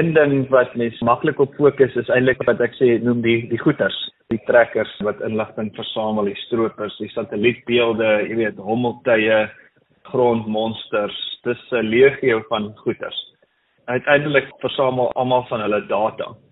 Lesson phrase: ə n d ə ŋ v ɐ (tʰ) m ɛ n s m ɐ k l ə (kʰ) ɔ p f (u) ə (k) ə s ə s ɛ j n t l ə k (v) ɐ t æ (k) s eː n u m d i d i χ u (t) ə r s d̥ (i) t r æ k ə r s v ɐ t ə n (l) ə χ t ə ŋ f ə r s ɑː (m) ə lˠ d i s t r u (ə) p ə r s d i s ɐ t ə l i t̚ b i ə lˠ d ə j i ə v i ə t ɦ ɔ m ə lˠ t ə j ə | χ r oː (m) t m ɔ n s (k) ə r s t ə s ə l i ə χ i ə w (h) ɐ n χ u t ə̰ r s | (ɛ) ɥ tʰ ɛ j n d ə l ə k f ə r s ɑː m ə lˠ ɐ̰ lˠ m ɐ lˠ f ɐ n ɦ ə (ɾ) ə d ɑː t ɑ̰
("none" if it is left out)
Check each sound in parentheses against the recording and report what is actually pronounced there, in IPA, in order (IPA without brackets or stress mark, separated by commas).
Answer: t, k, u, k, v, k, t, i, l, m, ə, n, t, f, œ, l